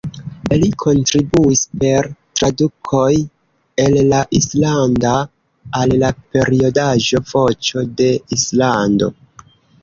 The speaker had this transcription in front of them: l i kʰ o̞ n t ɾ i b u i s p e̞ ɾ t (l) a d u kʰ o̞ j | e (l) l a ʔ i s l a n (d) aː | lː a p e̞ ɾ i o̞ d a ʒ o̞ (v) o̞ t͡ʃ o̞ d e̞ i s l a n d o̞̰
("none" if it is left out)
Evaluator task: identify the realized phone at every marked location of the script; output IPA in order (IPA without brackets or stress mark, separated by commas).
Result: ɾ, l, d, v